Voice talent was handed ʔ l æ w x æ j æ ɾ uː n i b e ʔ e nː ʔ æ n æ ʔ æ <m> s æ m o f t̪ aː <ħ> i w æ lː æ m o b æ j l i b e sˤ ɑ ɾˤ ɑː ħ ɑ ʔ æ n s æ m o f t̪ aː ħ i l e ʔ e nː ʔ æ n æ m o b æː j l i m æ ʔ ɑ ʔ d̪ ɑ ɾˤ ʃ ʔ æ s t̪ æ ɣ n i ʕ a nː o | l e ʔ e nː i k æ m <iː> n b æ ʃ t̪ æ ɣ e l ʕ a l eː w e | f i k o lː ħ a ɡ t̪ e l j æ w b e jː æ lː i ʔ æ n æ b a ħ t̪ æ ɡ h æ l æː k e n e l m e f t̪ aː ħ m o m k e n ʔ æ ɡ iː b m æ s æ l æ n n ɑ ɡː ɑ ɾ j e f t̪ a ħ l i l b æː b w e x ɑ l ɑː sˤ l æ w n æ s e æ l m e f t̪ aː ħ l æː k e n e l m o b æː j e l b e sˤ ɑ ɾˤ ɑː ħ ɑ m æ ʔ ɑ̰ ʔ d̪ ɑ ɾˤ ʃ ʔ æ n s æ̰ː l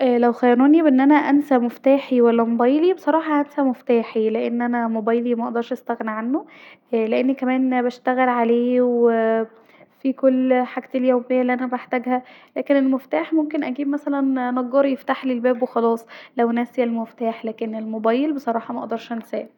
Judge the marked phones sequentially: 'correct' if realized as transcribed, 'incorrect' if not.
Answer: incorrect: n, correct, incorrect: æː

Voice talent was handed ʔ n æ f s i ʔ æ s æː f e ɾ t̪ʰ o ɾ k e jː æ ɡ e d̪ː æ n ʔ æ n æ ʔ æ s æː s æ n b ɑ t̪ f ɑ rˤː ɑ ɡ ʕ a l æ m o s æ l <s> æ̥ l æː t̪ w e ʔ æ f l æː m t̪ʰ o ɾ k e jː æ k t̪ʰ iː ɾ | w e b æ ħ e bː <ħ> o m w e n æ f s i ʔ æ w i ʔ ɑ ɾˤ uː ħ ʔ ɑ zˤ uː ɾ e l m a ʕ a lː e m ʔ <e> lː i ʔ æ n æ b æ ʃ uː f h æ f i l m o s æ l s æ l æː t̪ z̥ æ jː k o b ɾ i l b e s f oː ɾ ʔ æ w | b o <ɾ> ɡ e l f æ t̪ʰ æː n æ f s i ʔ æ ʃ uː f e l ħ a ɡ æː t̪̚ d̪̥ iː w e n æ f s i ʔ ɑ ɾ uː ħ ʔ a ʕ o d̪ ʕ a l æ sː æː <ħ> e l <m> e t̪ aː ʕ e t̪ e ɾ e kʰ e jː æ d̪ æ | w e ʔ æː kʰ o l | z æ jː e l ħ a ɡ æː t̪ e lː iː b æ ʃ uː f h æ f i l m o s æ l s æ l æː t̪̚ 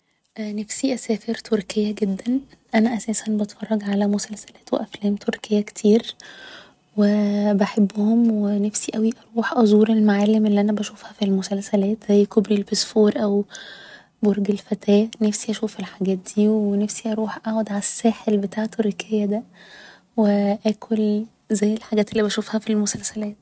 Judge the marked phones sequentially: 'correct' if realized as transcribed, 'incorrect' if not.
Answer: correct, incorrect: h, correct, correct, correct, incorrect: b

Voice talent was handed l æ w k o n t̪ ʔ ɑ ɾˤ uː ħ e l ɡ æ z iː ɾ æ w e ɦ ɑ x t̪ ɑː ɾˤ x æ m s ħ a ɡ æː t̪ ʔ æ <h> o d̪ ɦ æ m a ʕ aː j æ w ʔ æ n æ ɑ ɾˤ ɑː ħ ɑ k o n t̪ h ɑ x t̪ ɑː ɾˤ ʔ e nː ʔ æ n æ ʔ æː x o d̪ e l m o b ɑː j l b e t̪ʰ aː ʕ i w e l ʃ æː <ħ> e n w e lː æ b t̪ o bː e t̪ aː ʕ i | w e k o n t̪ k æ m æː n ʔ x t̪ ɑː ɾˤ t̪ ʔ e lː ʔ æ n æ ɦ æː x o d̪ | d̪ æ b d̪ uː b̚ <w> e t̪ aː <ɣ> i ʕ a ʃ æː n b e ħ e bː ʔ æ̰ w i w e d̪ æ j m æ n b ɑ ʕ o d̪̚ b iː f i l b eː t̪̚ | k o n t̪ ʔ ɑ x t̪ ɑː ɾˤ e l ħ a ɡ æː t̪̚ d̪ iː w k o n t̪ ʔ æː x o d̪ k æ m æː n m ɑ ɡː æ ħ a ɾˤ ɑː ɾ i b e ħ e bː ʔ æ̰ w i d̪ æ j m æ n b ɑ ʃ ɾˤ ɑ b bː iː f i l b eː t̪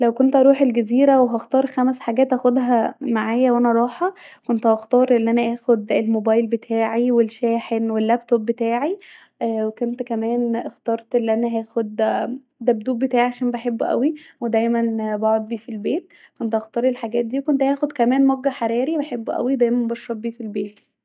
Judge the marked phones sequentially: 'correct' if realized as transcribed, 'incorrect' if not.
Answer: incorrect: x, correct, incorrect: b, incorrect: ʕ

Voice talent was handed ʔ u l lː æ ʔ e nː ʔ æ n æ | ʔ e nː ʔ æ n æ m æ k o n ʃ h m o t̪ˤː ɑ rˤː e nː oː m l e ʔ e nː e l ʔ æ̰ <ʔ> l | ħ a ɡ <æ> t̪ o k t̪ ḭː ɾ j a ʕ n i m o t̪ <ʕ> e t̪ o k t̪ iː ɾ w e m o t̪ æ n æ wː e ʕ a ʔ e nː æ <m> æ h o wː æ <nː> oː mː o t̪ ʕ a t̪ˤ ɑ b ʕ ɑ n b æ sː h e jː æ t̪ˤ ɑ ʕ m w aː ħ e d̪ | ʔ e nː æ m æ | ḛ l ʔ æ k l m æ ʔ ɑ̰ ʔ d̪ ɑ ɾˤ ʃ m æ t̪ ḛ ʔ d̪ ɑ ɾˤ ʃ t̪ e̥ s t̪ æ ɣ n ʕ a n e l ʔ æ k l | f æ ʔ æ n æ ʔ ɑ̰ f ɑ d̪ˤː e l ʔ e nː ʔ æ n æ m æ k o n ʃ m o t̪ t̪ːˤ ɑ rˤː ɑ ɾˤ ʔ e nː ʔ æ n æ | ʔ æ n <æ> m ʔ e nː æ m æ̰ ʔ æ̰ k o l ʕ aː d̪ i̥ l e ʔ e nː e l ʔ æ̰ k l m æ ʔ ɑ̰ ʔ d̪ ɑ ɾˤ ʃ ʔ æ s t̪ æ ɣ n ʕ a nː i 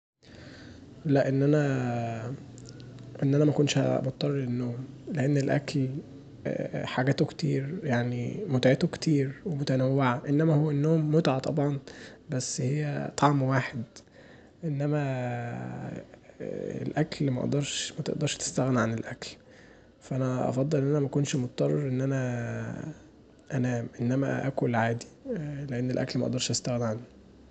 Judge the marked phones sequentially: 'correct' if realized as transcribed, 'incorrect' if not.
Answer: incorrect: k, incorrect: æː, correct, correct, correct, incorrect: æː

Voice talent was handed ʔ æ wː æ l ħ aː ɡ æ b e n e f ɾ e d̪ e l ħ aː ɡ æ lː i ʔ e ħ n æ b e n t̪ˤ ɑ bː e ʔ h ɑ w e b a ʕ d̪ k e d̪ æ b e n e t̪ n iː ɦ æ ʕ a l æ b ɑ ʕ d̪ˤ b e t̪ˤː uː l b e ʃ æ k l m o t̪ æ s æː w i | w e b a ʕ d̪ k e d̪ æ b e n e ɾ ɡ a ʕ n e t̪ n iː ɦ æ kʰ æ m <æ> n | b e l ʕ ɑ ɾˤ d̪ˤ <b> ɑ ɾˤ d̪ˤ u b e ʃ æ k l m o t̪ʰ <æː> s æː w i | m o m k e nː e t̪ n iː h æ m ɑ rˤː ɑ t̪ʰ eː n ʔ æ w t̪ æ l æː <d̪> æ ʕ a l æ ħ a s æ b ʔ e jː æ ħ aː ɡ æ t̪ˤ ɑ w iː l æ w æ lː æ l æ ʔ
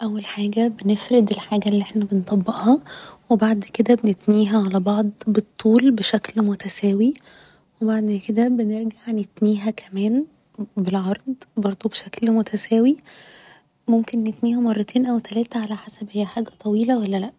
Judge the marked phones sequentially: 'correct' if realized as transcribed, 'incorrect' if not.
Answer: incorrect: æː, correct, incorrect: æ, incorrect: t̪

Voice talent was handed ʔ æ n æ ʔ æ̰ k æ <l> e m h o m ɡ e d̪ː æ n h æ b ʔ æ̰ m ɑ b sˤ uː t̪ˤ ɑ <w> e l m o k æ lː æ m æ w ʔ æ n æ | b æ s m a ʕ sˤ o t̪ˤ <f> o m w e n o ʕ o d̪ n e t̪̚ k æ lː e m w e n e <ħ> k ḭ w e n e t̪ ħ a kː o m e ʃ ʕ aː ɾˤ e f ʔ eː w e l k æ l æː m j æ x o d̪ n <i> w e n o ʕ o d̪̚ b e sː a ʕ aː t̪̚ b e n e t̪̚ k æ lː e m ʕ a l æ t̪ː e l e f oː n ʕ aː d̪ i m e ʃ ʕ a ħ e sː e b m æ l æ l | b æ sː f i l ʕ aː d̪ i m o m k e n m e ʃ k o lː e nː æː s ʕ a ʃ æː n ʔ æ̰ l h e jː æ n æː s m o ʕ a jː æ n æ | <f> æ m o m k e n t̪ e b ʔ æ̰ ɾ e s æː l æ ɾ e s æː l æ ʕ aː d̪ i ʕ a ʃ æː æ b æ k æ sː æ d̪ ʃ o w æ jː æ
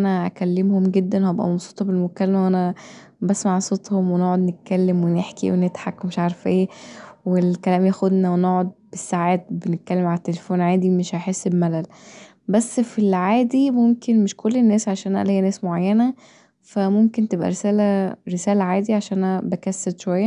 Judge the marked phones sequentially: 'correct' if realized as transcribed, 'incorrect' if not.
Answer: incorrect: lː, incorrect: b, incorrect: h, correct, incorrect: æ, correct

